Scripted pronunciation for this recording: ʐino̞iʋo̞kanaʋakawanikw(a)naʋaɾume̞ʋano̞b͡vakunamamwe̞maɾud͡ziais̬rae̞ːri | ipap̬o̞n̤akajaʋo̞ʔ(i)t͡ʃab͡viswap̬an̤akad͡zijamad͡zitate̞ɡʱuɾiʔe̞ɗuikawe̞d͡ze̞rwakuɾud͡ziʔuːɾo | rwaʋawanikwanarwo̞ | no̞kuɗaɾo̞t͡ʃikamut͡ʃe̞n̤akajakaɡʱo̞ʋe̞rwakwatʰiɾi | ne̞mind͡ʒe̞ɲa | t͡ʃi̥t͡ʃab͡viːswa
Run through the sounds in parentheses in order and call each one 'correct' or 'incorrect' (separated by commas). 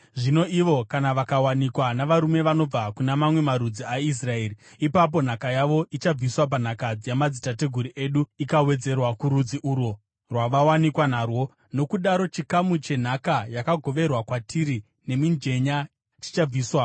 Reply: correct, correct